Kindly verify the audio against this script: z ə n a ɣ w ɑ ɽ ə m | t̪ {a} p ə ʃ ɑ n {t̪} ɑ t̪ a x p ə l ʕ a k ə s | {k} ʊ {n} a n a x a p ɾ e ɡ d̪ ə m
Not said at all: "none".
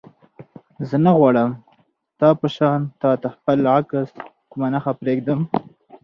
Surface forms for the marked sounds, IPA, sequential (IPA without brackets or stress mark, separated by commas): ɑ, t̪, k, m